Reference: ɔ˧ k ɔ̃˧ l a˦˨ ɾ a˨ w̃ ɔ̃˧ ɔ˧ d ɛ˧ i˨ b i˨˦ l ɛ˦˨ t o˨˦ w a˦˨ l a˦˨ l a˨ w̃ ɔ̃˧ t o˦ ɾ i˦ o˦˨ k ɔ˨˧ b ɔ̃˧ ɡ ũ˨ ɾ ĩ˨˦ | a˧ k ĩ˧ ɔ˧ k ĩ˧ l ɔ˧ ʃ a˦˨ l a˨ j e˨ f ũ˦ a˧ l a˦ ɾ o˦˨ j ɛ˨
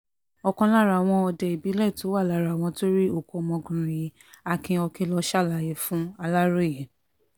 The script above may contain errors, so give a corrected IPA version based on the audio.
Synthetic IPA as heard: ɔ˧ k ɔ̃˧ l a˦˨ ɾ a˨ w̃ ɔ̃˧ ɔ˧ d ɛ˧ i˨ b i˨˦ l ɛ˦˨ t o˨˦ w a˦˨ l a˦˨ ɾ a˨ w̃ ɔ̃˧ t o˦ ɾ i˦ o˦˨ k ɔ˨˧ m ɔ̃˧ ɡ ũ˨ ɾ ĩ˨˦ | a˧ k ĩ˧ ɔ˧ k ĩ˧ l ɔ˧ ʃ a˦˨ l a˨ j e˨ f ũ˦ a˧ l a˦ ɾ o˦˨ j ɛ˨

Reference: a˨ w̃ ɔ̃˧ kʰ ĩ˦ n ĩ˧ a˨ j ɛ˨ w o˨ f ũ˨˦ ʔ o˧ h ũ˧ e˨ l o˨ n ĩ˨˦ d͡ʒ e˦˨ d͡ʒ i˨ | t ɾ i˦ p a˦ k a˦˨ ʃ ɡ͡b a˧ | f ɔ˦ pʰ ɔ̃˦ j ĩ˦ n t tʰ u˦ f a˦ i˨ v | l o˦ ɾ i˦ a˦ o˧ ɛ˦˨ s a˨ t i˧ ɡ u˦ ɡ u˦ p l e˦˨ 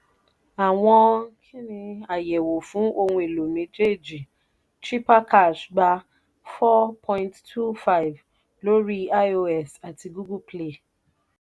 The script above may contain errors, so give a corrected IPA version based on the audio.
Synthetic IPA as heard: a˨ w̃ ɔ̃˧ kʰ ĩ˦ n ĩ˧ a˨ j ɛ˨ w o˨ f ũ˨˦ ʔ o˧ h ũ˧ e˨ l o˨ m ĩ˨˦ d͡ʒ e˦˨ d͡ʒ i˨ | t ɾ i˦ p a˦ k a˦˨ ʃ ɡ͡b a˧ | f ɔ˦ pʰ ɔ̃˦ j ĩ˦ n t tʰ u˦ f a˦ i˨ v | l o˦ ɾ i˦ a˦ o˧ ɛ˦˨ s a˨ t i˧ ɡ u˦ ɡ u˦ p l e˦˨

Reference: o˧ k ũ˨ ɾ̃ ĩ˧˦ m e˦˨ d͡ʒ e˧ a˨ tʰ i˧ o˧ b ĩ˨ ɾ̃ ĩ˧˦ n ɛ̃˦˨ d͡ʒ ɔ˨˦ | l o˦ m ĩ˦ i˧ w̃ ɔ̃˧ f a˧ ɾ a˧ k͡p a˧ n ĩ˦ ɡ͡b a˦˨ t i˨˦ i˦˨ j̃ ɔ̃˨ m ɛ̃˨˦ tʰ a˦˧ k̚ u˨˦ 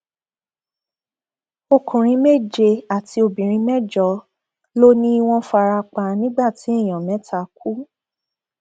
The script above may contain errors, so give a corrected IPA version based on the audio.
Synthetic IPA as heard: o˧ k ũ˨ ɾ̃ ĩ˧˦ m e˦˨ d͡ʒ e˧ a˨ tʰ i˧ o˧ b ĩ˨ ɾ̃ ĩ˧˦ m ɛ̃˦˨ d͡ʒ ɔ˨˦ | l o˦ n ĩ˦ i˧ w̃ ɔ̃˧ f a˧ ɾ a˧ k͡p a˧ n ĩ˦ ɡ͡b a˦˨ t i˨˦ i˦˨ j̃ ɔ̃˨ m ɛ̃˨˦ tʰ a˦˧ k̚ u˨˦

